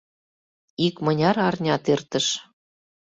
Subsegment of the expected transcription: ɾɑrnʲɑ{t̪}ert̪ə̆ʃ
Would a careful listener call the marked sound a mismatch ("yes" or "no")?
no